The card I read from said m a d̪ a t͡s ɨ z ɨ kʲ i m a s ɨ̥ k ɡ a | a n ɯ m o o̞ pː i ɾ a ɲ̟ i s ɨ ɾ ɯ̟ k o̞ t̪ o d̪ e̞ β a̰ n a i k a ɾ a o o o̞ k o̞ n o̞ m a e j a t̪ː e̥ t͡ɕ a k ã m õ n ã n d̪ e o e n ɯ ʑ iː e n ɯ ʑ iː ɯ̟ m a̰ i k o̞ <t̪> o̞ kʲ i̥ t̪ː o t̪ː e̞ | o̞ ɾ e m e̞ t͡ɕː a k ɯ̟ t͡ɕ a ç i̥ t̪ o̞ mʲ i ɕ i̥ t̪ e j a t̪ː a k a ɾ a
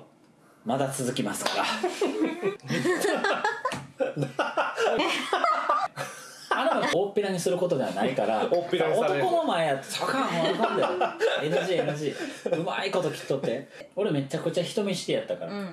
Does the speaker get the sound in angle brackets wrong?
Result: no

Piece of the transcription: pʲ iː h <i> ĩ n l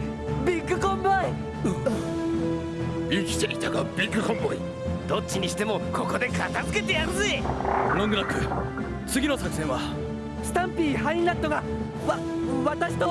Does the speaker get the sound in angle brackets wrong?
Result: yes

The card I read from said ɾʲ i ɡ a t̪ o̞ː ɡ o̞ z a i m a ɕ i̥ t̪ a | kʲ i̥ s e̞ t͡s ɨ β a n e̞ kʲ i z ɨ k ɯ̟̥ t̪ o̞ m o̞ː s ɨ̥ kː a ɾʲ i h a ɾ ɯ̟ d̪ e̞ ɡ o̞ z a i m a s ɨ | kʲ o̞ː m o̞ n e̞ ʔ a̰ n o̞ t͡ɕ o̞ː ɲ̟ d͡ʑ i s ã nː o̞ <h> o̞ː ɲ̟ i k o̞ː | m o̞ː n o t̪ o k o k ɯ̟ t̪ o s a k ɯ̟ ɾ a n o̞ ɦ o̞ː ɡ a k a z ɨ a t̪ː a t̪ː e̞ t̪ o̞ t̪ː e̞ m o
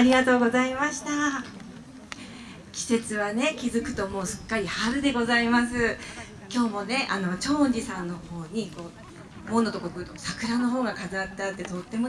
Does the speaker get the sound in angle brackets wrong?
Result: no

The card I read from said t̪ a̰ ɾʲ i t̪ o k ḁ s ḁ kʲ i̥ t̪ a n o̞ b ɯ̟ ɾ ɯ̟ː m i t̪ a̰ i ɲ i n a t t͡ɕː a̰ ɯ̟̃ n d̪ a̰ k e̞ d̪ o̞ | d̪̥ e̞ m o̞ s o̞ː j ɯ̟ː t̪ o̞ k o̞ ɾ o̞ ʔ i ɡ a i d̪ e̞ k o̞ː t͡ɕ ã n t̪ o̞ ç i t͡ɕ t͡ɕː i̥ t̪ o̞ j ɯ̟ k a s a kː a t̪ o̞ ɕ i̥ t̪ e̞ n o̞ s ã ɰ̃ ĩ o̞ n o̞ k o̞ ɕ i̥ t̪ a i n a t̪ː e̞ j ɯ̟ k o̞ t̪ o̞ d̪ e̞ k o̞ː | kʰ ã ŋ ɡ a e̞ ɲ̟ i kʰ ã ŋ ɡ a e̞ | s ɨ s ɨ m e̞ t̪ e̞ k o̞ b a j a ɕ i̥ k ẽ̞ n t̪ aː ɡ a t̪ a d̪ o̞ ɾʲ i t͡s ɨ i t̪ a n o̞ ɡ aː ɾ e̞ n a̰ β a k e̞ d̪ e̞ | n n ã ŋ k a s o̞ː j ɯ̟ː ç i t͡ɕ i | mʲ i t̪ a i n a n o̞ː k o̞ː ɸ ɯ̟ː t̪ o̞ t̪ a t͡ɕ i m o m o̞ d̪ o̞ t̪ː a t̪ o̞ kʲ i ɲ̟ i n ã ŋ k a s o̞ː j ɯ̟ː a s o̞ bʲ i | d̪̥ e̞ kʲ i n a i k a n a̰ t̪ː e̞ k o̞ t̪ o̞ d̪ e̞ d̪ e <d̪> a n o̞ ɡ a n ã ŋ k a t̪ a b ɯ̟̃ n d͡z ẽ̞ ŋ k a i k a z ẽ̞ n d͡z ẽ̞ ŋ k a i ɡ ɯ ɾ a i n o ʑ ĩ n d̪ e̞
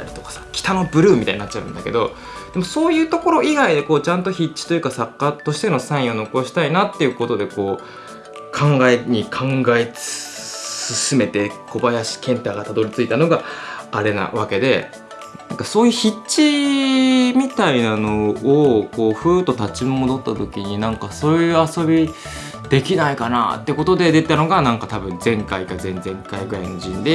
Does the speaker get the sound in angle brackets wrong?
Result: yes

